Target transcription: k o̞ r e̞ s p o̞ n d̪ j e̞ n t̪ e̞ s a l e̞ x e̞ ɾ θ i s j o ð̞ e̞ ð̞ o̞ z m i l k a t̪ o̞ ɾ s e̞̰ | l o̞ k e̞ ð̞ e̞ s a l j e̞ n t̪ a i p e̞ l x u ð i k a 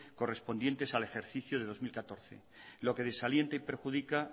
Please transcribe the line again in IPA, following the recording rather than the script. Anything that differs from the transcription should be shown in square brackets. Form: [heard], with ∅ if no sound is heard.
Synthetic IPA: k o̞ r e̞ s p o̞ n d̪ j e̞ n t̪ e̞ s a l e̞ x e̞ ɾ θ i [θ] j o ð̞ e̞ ð̞ o̞ z m i l k a t̪ o̞ ɾ [θ] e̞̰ | l o̞ k e̞ ð̞ e̞ s a l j e̞ n t̪ a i p e̞ [ɾ] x u ð i k a

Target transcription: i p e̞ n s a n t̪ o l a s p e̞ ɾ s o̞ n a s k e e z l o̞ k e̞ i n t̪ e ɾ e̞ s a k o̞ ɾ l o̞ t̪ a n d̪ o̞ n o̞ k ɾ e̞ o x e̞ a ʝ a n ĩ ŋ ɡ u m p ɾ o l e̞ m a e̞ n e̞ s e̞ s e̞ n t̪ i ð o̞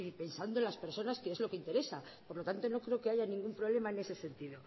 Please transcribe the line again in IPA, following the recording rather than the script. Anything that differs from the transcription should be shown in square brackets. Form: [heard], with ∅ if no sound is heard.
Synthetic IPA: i p e̞ n s a n [d̪] o l a s p e̞ ɾ s o̞ n a s k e e z l o̞ k e̞ i n t̪ e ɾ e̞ s a [p] o̞ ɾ l o̞ t̪ a n [t̪] o̞ n o̞ k ɾ e̞ o [k] e̞ a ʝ a n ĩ ŋ ɡ u m p ɾ o l e̞ m a e̞ n e̞ s e̞ s e̞ n t̪ i ð o̞

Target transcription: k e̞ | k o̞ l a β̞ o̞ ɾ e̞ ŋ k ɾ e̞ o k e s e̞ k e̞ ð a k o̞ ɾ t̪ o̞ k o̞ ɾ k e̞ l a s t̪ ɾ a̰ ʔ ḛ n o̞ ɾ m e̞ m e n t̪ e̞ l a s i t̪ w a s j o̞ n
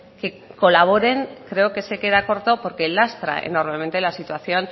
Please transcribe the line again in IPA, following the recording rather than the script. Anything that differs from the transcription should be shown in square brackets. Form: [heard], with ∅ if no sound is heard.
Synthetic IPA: k e̞ | k o̞ l a β̞ o̞ ɾ e̞ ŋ k ɾ e̞ o k e s e̞ k e̞ ð a k o̞ ɾ t̪ o̞ [p] o̞ ɾ k e̞ l a s t̪ ɾ a̰ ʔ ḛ n o̞ ɾ m e̞ m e n t̪ e̞ l a s i t̪ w a [θ] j o̞ n

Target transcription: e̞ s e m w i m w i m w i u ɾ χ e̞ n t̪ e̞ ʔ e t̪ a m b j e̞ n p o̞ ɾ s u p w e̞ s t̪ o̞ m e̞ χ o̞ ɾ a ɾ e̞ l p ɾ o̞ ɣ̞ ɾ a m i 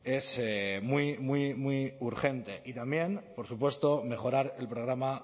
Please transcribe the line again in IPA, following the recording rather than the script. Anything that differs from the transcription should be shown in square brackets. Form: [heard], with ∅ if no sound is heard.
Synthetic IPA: e̞ s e m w i m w i m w i u ɾ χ e̞ n t̪ e̞ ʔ [i] t̪ a m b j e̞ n p o̞ ɾ s u p w e̞ s t̪ o̞ m e̞ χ o̞ ɾ a ɾ e̞ l p ɾ o̞ ɣ̞ ɾ a m [a]

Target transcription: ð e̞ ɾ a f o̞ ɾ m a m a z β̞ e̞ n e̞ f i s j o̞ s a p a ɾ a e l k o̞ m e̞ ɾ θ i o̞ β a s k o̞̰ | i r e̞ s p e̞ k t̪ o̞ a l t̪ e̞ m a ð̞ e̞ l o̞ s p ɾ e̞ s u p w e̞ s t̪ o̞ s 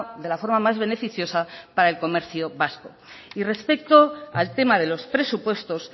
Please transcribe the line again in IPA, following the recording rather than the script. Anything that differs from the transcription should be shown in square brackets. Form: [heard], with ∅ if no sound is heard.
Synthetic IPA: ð e̞ [l] a f o̞ ɾ m a m a z β̞ e̞ n e̞ f i [θ] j o̞ s a p a ɾ a e l k o̞ m e̞ ɾ θ [j] o̞ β a s k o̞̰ | i r e̞ s p e̞ k t̪ o̞ a l t̪ e̞ m a ð̞ e̞ l o̞ s p ɾ e̞ s u p w e̞ s t̪ o̞ s

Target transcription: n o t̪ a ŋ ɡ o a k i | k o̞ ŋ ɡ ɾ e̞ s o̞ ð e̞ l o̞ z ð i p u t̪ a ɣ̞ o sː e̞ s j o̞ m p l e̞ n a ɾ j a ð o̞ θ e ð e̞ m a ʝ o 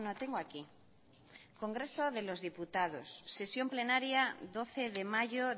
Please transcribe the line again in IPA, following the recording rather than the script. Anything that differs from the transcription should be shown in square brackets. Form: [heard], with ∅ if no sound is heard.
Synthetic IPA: n o t̪ [e] ŋ ɡ o a k i | k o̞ ŋ ɡ ɾ e̞ s o̞ ð e̞ l o̞ z ð i p u t̪ a [ð̞] o sː e̞ s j o̞ m p l e̞ n a ɾ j a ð o̞ θ e ð e̞ m a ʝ o

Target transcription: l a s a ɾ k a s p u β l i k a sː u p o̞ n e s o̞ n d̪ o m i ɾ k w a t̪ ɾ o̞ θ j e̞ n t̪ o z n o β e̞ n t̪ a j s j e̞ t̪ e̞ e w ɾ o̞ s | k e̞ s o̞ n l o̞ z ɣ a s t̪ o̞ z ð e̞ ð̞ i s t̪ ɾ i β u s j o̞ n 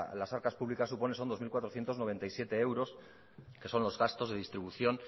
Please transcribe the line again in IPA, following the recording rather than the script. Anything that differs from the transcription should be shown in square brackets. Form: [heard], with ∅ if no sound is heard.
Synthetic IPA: l a s a ɾ k a s p u β l i k a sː u p o̞ n e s o̞ n d̪ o m i [l] k w a t̪ ɾ o̞ θ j e̞ n t̪ o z n o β e̞ n t̪ a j s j e̞ t̪ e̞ e w ɾ o̞ s | k e̞ s o̞ n l o̞ z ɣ a s t̪ o̞ z ð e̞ ð̞ i s t̪ ɾ i β u [θ] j o̞ n

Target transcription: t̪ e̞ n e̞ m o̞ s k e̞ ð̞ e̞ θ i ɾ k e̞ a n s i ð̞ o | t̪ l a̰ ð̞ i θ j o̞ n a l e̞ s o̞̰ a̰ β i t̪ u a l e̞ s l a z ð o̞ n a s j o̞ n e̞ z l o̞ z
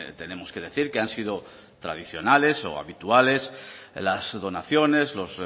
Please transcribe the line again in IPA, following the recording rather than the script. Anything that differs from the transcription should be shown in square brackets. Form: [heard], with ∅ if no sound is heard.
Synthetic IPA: t̪ e̞ n e̞ m o̞ s k e̞ ð̞ e̞ θ i ɾ k e̞ a n s i ð̞ o | t̪ [ɾ] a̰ ð̞ i θ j o̞ n a l e̞ s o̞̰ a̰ β i t̪ u a l e̞ s l a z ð o̞ n a [θ] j o̞ n e̞ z l o̞ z

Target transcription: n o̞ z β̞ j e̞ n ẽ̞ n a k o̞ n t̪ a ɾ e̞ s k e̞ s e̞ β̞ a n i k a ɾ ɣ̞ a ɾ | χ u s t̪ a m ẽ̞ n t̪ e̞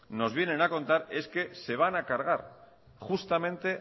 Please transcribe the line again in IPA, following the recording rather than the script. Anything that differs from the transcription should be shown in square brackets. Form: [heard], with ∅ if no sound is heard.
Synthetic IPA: n o̞ z β̞ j e̞ n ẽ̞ n a k o̞ n t̪ a ɾ e̞ s k e̞ s e̞ β̞ a n [a] k a ɾ ɣ̞ a ɾ | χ u s t̪ a m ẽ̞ n t̪ e̞

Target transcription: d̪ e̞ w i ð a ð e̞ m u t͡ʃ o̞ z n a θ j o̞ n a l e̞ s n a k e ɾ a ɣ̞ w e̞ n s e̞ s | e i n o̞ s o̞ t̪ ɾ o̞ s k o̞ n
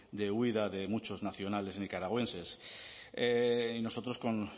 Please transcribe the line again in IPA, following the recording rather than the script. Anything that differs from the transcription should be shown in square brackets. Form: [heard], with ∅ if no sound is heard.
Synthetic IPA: d̪ e̞ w i ð a ð e̞ m u t͡ʃ o̞ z n a θ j o̞ n a l e̞ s n [i] k [a] ɾ a ɣ̞ w e̞ n s e̞ s | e i n o̞ s o̞ t̪ ɾ o̞ s k o̞ n

